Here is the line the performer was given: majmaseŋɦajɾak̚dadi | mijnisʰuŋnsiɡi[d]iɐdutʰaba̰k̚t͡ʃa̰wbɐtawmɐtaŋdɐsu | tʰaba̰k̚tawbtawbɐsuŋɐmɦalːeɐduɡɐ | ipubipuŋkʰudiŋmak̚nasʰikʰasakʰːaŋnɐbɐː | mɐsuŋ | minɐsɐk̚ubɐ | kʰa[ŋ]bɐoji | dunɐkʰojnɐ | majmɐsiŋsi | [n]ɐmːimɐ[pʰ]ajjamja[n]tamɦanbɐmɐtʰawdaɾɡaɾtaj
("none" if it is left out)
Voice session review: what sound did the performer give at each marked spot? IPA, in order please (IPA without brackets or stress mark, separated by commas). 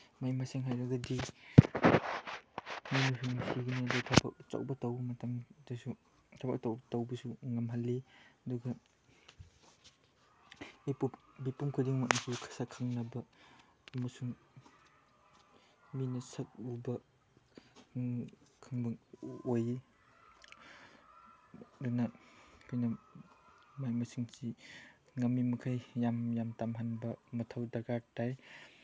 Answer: n, ŋ, ŋ, kʰ, m